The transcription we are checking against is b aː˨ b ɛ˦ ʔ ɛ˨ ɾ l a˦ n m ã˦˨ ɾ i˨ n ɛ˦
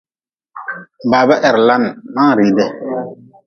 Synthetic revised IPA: b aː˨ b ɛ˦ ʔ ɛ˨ ɾ l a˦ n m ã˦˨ ɾ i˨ d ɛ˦